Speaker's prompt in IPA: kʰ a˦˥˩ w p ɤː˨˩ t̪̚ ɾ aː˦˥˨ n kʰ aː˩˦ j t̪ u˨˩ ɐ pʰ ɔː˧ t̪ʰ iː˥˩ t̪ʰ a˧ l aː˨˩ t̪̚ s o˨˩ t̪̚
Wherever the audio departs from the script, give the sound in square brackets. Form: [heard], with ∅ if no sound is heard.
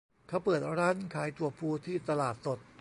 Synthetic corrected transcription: kʰ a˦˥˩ w p ɤː˨˩ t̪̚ ɾ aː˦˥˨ n kʰ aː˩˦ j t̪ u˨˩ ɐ pʰ [uː˧] t̪ʰ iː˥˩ [t̪] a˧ l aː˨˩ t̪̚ s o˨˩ t̪̚